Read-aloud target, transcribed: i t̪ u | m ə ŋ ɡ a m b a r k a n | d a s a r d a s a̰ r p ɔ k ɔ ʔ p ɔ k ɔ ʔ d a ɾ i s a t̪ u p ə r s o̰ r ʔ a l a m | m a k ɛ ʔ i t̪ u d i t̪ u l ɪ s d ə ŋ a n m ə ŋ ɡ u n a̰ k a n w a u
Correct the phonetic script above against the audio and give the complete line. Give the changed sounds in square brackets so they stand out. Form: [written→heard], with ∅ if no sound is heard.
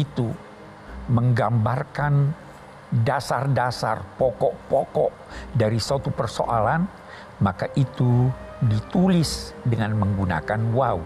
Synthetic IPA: i t̪ u | m ə ŋ ɡ a m b a r k a n | d a s a r d a s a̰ r p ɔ k ɔ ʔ p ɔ k ɔ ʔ d a ɾ i s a t̪ u p ə r s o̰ [r→∅] ʔ a l a [m→n] | m a k [ɛ→a] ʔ i t̪ u d i t̪ u l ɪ s d ə ŋ a n m ə ŋ ɡ u n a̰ k a n w a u